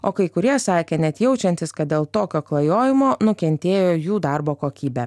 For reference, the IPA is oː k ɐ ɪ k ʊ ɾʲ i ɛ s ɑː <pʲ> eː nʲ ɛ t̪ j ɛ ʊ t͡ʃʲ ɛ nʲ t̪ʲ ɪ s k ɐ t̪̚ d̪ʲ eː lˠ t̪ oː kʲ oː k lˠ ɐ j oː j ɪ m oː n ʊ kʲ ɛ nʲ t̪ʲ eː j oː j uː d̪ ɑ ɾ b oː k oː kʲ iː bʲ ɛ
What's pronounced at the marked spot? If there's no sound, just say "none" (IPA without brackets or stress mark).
kʲ